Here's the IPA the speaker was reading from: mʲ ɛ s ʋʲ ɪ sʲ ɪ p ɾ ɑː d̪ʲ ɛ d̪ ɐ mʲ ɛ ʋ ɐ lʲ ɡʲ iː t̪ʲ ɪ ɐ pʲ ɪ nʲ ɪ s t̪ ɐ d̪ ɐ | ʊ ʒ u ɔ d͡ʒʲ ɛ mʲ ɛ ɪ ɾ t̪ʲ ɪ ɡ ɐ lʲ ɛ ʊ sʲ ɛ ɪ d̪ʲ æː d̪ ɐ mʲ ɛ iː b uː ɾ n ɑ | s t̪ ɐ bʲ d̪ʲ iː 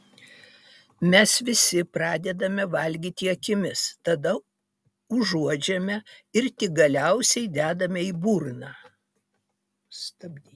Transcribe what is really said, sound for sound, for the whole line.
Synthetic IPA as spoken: mʲ ɛ s ʋʲ ɪ sʲ ɪ p ɾ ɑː d̪ʲ ɛ d̪ ɐ mʲ ɛ ʋ ɐ lʲ ɡʲ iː t̪ʲ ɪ ɐ kʲ ɪ mʲ ɪ s t̪ ɐ d̪ ɐ | ʊ ʒ u ɔ d͡ʒʲ ɛ mʲ ɛ ɪ ɾ t̪ʲ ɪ ɡ ɐ lʲ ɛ ʊ sʲ ɛ ɪ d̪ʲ æː d̪ ɐ mʲ ɛ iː b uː ɾ n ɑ | s t̪ ɐ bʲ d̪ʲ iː